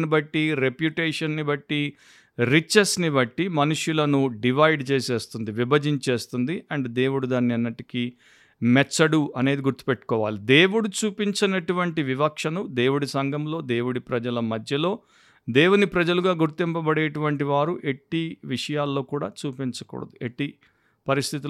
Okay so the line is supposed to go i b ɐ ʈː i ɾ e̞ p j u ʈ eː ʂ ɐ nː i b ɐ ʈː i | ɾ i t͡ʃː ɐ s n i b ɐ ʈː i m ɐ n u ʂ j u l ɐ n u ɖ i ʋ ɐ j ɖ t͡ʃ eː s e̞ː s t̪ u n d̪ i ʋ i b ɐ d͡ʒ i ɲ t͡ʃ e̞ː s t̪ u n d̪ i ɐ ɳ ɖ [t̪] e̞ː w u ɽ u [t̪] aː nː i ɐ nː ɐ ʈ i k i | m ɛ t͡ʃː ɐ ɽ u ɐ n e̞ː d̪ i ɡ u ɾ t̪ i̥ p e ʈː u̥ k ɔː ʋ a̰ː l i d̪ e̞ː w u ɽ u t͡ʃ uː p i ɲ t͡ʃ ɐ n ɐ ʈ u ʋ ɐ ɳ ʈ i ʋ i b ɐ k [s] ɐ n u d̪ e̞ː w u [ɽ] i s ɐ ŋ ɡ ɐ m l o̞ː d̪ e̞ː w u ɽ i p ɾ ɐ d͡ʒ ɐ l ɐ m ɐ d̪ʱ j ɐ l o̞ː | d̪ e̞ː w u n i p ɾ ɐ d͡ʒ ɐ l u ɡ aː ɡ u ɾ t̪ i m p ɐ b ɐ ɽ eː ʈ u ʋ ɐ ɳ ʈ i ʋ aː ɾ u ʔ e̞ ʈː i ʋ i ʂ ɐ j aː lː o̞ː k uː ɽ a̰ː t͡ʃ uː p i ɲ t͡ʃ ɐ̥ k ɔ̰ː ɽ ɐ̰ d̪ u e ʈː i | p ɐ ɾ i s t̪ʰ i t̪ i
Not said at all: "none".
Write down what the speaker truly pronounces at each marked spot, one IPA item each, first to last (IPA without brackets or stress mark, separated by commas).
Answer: d̪, d̪, ʂ, ɽ